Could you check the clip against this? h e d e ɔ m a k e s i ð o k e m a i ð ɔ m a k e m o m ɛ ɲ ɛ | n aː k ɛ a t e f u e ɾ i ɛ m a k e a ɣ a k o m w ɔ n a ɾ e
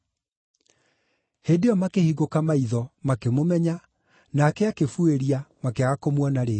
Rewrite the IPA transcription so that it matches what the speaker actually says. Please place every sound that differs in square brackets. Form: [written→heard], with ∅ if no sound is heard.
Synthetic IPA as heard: h e d e ɔ m a k e [s→h] i [ð→ɣ] o k [e→a] m a i ð ɔ m a k e m o m ɛ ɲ [ɛ→a] | n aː k ɛ a [t→k] e f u e ɾ i [ɛ→a] m a k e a ɣ a k o m w ɔ n a ɾ e